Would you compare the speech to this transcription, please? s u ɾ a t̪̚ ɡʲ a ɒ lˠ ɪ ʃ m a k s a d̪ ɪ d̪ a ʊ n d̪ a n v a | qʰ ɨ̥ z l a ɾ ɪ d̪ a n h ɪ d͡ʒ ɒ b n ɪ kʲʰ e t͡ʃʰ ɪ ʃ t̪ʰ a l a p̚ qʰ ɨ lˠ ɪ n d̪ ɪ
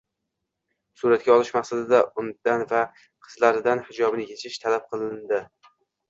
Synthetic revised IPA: s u ɾ a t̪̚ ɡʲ a ɒ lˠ ɪ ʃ m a q s a d̪ ɪ d̪ a ʊ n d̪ a n v a | qʰ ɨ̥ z l a ɾ ɪ d̪ a n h ɪ d͡ʒ ɒ b n ɪ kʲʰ e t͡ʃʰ ɪ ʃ t̪ʰ a l a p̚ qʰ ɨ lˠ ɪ n d̪ ɪ